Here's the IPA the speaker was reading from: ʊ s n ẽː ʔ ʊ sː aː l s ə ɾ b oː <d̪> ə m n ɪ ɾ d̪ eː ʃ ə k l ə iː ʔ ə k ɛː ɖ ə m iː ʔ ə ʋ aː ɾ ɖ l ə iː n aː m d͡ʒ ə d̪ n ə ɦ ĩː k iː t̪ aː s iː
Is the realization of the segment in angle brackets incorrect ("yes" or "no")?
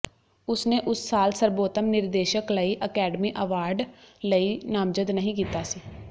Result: yes